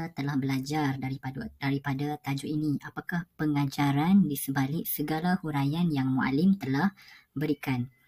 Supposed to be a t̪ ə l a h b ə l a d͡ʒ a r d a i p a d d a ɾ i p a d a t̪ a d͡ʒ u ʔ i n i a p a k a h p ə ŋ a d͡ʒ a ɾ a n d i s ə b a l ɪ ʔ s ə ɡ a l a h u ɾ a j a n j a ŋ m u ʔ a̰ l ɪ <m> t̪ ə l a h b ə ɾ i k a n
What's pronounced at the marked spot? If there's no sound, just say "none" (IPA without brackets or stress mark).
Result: m